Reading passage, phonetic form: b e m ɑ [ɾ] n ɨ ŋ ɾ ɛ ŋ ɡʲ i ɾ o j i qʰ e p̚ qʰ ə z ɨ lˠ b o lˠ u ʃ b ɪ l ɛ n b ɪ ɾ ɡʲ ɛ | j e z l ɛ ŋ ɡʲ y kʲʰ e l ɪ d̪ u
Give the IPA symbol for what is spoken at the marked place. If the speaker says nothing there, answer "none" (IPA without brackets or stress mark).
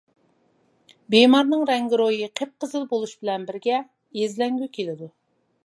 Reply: ɾ